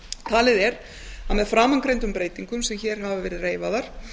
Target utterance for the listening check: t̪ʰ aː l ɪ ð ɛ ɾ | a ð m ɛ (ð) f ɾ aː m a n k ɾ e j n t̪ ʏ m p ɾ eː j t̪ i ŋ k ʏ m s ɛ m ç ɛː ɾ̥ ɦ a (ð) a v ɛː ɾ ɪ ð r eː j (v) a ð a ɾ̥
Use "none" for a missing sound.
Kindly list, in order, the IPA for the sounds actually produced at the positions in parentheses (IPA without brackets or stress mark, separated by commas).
ð, v, v